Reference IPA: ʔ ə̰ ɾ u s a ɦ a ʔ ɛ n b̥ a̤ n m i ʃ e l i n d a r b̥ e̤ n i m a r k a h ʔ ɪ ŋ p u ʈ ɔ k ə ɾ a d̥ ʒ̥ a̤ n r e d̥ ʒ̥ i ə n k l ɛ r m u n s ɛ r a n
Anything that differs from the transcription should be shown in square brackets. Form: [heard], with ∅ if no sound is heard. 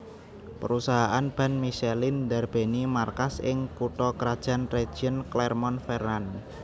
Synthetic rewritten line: [p] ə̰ ɾ u s a ɦ a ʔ [a] n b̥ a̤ n m i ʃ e l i n d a r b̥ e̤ n i m a r k a [s] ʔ ɪ ŋ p u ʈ ɔ k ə ɾ a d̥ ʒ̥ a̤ n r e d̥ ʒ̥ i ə n k l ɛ r m [ɔ] n [f] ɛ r a n